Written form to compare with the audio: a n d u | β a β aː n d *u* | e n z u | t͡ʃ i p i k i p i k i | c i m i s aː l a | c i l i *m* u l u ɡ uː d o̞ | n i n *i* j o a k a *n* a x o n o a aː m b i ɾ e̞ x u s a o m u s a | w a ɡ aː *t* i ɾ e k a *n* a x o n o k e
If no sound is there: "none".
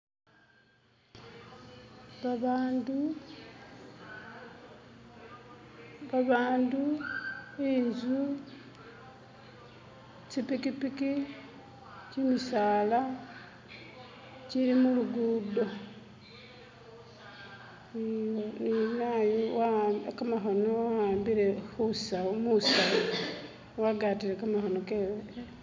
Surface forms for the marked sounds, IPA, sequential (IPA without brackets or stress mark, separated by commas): u, m, a, m, t, m